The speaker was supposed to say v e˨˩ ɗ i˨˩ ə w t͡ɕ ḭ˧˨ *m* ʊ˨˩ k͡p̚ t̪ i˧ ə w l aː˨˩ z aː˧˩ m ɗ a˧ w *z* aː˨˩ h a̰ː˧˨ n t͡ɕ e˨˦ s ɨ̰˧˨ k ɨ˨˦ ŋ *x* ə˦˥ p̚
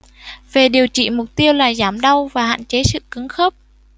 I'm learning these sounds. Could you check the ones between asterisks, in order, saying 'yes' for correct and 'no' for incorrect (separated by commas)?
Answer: yes, no, yes